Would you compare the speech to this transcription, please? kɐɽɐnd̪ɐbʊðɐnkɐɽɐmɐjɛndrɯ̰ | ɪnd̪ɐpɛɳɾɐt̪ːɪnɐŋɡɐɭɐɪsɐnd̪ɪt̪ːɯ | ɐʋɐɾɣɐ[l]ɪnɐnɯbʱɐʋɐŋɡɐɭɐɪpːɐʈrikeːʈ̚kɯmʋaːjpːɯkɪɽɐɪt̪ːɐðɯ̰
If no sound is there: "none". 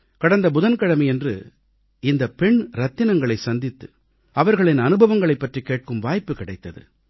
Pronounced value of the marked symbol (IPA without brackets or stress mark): ɭ